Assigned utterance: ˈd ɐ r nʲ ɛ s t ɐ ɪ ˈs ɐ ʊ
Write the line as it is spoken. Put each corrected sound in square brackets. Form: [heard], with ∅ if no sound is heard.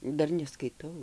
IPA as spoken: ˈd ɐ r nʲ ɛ s [k] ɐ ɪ [ˈt] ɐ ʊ